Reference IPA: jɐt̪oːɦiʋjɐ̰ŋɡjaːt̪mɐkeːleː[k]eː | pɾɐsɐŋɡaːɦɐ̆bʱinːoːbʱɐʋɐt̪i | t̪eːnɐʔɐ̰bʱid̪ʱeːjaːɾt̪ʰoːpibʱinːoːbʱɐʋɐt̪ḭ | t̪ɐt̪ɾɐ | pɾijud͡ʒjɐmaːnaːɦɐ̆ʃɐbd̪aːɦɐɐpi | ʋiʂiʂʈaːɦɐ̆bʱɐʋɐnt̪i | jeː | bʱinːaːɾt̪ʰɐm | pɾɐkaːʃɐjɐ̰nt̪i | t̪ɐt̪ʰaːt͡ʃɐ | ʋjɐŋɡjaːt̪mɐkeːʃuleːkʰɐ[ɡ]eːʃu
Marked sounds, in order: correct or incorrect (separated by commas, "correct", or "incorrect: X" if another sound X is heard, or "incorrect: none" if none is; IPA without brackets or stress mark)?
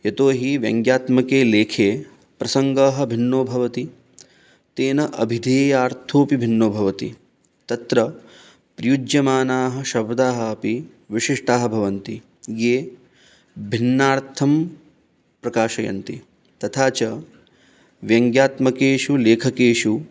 incorrect: kʰ, incorrect: k